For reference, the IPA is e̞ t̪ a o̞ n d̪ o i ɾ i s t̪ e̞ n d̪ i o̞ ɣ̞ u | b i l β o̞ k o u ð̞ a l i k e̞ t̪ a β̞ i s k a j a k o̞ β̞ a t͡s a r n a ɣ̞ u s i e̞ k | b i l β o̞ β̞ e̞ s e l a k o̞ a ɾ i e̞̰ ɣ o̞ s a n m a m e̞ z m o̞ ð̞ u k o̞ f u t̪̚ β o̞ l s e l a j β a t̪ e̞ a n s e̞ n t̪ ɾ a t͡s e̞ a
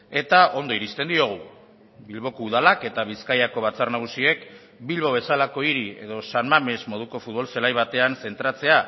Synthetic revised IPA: e̞ t̪ a o̞ n d̪ o i ɾ i s t̪ e̞ n d̪ i o̞ ɣ̞ u | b i l β o̞ k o u ð̞ a l a k e̞ t̪ a β̞ i s k a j a k o̞ β̞ a t͡s a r n a ɣ̞ u s i e̞ k | b i l β o̞ β̞ e̞ s a l a k o̞ i ɾ i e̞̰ ð o̞ s a n m a m e̞ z m o̞ ð̞ u k o̞ f u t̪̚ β o̞ l s e l a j β a t̪ e̞ a n s e̞ n t̪ ɾ a t͡s e̞ a